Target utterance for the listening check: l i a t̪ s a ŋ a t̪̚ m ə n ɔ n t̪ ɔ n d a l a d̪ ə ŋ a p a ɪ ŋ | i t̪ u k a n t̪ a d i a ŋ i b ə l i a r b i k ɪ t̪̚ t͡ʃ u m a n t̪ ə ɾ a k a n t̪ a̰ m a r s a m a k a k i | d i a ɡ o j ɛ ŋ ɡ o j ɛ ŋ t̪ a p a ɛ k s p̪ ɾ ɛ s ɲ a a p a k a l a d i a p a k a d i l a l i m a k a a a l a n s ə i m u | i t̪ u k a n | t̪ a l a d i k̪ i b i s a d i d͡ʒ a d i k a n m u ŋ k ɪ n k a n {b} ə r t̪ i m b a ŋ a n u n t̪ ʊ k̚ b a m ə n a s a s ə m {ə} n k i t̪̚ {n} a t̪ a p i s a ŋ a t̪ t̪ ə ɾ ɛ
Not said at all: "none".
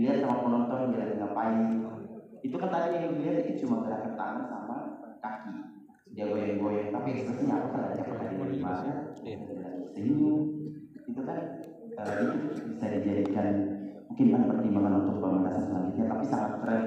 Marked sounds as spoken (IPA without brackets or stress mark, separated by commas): p, a, ɲ